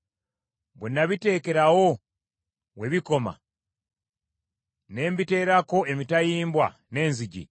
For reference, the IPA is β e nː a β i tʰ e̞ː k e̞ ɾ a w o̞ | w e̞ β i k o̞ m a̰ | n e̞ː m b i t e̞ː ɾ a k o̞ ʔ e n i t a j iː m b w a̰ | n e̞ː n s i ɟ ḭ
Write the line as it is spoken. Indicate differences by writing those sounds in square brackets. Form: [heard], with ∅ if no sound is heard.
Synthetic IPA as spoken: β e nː a β i [t] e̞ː k e̞ ɾ a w o̞ | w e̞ β i k o̞ m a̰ | n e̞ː m b i t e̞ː ɾ a k o̞ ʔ e [m] i t a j iː m b w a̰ | n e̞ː n [z] i ɟ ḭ